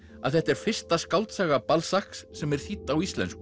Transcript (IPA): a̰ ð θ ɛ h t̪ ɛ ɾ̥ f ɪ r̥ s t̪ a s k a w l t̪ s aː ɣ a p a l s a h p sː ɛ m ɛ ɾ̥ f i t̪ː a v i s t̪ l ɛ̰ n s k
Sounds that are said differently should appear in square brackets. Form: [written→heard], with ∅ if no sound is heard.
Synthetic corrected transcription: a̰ ð θ ɛ h t̪ ɛ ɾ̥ f ɪ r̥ s t̪ a s k a w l t̪ s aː ɣ a p a l s a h [p→k] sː ɛ m ɛ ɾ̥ [f→θ] i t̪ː a [v→w] i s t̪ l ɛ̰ n s k

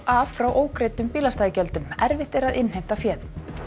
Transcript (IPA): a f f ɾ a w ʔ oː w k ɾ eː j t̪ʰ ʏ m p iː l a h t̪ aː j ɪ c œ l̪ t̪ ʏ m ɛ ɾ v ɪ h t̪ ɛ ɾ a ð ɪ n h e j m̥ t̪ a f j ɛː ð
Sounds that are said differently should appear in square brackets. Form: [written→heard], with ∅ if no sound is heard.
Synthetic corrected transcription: a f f ɾ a w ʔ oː w k ɾ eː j [t̪ʰ→t̪] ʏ m p iː l a [h→s] t̪ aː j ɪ c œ l̪ t̪ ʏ m ɛ ɾ v ɪ h t̪ ɛ ɾ a ð ɪ n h e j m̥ t̪ a f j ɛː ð

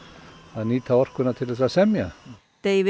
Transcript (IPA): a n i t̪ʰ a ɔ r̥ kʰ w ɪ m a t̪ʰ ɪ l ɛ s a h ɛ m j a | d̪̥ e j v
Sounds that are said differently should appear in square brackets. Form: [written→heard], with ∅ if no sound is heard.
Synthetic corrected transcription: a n i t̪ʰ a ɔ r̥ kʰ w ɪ [m→n] a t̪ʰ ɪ l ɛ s a [h→s] ɛ m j a | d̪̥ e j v

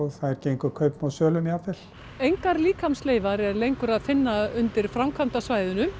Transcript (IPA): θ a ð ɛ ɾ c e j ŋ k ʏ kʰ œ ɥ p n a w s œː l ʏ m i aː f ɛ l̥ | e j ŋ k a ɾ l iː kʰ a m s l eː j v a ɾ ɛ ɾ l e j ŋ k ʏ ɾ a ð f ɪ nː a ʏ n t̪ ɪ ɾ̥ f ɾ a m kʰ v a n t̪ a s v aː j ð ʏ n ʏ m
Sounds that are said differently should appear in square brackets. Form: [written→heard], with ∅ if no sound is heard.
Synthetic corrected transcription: θ a ð ɛ ɾ c e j ŋ k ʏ kʰ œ ɥ p n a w s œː l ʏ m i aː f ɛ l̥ | e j ŋ k a ɾ l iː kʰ a m s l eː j v a ɾ ɛ ɾ l e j ŋ k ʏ ɾ a ð f ɪ nː a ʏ n t̪ ɪ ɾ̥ f ɾ a m kʰ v a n t̪ a s v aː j ð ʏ n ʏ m

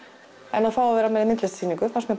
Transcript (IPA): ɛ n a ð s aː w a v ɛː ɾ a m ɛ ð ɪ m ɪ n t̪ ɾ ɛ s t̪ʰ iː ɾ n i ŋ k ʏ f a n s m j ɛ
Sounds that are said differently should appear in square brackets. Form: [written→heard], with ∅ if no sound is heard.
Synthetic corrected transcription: ɛ n a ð [s→f] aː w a v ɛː ɾ a m ɛ ð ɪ m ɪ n t̪ [ɾ→l] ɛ s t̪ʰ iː [ɾ→∅] n i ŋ k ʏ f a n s m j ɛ

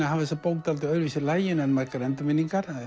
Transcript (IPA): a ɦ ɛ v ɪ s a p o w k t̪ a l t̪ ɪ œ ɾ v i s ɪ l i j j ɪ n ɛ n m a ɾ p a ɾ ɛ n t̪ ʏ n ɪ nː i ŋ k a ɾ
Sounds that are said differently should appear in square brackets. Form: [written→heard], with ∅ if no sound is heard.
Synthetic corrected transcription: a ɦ [ɛ→a] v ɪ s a p o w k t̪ a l t̪ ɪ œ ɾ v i s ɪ l [i→a] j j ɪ n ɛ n m a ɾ [p→k] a ɾ ɛ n t̪ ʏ [n→m] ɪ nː i ŋ k a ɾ

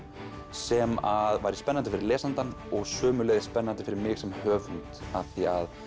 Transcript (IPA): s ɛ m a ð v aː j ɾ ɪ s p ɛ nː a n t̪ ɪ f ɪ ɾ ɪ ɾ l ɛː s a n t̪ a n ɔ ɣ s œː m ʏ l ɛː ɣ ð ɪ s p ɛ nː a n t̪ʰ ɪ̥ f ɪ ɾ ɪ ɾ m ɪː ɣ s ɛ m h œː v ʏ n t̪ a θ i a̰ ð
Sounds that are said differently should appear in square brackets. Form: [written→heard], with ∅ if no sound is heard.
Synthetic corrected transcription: s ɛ m a ð v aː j ɾ ɪ s p ɛ nː a n t̪ ɪ f ɪ ɾ ɪ ɾ l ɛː s a n t̪ a n ɔ ɣ s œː m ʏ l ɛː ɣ ð ɪ s p ɛ nː a n [t̪ʰ→t̪] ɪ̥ f ɪ ɾ ɪ ɾ m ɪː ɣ s ɛ m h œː v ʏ n t̪ a θ i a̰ ð

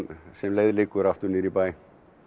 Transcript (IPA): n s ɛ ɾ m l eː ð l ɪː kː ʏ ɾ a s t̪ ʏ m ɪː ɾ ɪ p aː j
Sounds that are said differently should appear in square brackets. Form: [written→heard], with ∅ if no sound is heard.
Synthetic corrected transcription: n s ɛ [ɾ→∅] m l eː ð l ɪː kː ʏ ɾ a [s→f] t̪ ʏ [m→n] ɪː ɾ [ɪ→i] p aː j

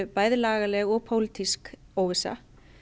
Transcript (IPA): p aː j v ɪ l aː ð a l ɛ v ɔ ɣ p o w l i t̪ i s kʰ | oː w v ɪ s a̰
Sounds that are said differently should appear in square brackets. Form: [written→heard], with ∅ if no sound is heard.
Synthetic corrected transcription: p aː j [v→ð] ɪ l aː [ð→ɣ] a l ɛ [v→ɣ] ɔ ɣ [p→pʰ] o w l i t̪ i s [kʰ→k] | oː w v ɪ s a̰

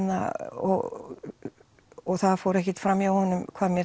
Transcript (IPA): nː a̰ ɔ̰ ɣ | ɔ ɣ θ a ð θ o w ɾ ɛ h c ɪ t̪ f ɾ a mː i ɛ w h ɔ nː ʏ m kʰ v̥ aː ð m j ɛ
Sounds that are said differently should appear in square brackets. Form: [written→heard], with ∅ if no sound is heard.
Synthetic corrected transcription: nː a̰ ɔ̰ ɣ | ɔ ɣ θ a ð [θ→f] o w ɾ ɛ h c ɪ t̪ f ɾ a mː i [ɛ→a] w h ɔ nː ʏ m kʰ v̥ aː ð m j ɛ

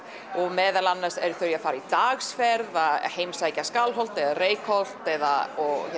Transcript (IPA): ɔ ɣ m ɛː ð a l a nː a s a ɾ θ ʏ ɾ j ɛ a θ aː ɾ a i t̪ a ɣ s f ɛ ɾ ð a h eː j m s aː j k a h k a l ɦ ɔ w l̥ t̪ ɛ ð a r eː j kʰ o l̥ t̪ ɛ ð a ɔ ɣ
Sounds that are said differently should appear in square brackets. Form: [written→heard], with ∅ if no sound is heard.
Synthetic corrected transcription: ɔ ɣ m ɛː ð a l a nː a s [a→ɛ] ɾ θ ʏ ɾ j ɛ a [θ→f] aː ɾ a i t̪ a ɣ s f ɛ ɾ ð a h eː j m s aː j [k→c] a [h→s] k a l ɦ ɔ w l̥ t̪ ɛ ð a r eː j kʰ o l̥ t̪ ɛ ð a ɔ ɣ

